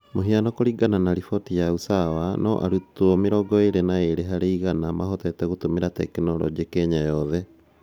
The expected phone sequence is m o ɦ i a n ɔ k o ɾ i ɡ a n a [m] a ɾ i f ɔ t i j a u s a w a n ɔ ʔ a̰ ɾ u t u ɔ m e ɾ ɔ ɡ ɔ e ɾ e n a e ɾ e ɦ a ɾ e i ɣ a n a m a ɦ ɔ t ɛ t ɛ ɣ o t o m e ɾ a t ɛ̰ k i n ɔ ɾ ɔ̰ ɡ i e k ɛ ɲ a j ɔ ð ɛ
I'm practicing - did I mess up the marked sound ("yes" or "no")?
yes